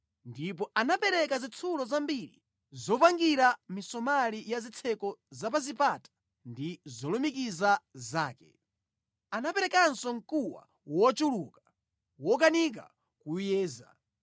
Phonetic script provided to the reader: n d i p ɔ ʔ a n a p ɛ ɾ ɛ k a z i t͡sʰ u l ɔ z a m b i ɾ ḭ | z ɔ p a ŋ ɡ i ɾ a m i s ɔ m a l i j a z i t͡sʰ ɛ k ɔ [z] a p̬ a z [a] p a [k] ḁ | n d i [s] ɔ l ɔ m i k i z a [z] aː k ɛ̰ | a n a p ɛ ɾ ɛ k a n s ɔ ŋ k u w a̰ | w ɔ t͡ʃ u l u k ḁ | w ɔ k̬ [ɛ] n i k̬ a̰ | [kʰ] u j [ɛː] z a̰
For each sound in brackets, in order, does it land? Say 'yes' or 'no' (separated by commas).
yes, no, no, no, yes, no, no, yes